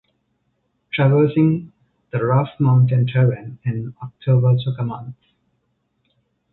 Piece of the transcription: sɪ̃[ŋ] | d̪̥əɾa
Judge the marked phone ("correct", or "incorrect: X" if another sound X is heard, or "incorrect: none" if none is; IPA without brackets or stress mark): correct